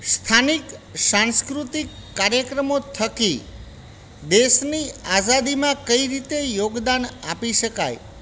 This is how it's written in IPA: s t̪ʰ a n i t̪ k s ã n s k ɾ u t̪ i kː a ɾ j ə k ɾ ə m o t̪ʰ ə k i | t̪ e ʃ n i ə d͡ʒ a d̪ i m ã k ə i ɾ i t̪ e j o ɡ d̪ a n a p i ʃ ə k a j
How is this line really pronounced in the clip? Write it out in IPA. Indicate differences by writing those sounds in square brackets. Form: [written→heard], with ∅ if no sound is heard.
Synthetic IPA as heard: s t̪ʰ a n i [t̪→∅] k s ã n s k ɾ u t̪ i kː a ɾ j ə k ɾ ə m o t̪ʰ ə k i | [t̪→d̪] e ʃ n i [ə→a] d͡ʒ a d̪ i m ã k ə i ɾ i t̪ e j o ɡ d̪ a n a p i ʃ ə k a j